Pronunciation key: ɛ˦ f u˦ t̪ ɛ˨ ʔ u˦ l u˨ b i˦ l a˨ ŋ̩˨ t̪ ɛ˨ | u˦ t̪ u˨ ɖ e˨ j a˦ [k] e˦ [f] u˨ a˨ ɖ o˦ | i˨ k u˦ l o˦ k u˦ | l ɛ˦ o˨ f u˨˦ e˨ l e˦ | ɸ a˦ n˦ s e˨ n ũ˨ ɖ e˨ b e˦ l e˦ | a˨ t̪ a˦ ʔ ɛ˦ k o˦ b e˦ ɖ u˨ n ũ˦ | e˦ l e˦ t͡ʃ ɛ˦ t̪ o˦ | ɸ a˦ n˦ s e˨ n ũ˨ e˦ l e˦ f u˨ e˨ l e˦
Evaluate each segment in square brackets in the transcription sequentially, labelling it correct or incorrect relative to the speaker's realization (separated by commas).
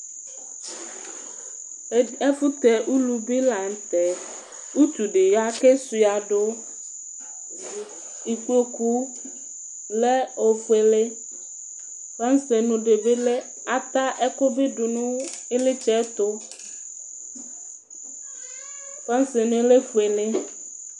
correct, incorrect